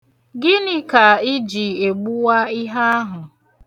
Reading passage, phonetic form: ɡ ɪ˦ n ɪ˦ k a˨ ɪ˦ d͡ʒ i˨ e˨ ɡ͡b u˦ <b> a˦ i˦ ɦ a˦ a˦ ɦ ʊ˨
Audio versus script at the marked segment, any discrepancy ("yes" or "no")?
yes